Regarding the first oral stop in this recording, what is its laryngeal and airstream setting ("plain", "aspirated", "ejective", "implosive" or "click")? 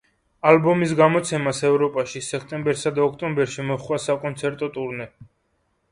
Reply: plain